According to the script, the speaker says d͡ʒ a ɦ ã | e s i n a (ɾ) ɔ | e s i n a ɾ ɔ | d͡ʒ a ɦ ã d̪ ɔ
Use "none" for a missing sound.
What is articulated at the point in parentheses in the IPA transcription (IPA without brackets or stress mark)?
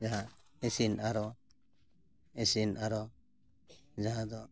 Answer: ɾ